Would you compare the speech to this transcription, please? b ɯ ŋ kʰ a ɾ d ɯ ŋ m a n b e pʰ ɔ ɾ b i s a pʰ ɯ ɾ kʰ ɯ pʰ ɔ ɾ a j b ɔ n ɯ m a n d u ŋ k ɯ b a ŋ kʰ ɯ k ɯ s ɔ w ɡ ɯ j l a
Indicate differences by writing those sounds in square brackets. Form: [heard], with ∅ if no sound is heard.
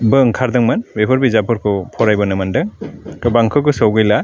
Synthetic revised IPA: b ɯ ŋ kʰ a ɾ d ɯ ŋ m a n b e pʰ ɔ ɾ b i [z] a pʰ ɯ ɾ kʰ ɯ pʰ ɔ ɾ a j b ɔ n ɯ m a n d [ɯ] ŋ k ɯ b a ŋ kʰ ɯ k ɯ s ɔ w ɡ ɯ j l a